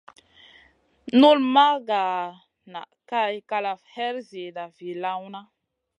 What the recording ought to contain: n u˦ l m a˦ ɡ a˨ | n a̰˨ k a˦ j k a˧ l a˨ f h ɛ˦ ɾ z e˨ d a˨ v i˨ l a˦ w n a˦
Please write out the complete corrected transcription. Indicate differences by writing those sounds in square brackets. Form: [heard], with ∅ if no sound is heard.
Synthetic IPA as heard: n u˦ l m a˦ ɡ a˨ | n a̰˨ k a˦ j k a˧ l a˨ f h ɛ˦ ɾ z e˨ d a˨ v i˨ l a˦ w n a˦